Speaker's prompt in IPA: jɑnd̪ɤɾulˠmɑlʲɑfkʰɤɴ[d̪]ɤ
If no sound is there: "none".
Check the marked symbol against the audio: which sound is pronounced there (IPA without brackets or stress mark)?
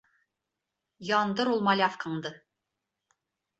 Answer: d̪